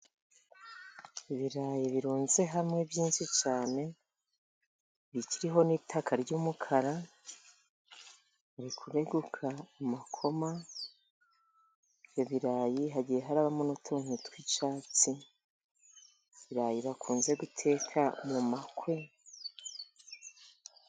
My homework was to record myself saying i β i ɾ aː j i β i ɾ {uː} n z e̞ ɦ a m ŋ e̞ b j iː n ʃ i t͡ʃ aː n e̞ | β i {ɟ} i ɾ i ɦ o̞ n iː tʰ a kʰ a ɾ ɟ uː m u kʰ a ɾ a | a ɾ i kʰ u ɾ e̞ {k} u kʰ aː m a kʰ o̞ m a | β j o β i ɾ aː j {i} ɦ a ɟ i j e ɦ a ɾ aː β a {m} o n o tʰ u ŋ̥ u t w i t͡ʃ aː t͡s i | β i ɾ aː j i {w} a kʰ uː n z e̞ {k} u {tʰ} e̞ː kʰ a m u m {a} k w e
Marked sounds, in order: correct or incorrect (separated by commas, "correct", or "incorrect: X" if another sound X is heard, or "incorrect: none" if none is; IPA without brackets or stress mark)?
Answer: correct, incorrect: c, incorrect: ɡ, correct, correct, incorrect: β, incorrect: ɡ, correct, correct